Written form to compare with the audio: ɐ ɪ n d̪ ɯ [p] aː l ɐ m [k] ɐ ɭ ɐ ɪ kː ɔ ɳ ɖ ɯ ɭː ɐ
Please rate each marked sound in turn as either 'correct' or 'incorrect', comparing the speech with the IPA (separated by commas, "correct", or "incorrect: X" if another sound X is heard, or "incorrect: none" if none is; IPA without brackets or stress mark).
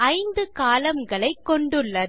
incorrect: k, incorrect: ɡ